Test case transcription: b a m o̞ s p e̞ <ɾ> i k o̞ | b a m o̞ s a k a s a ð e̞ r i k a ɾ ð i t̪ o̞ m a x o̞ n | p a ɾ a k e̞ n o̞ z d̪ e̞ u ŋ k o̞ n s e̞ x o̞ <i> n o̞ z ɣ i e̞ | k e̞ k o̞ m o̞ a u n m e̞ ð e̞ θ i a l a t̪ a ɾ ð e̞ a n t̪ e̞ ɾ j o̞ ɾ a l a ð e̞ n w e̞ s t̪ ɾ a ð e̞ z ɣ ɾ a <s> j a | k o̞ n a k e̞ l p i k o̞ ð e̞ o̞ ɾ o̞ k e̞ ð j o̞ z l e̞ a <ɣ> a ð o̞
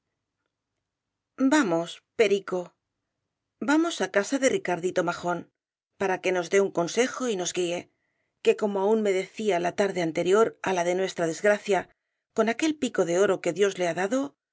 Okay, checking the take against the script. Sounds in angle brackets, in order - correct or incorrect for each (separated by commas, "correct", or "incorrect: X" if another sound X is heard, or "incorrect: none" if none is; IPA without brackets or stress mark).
correct, correct, incorrect: θ, incorrect: ð